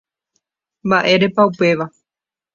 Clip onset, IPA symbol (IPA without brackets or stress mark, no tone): m